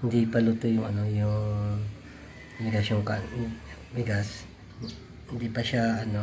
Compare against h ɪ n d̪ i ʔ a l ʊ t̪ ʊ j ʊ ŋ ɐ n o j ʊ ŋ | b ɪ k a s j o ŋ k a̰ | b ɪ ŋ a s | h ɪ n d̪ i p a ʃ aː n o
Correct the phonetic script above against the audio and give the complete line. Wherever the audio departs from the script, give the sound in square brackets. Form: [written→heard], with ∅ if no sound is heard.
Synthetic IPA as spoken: h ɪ n d̪ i [ʔ→p] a l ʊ t̪ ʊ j ʊ ŋ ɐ n o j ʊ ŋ | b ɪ [k→ɡ] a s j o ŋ k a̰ | b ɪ [ŋ→ɡ] a s | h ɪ n d̪ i p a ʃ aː n o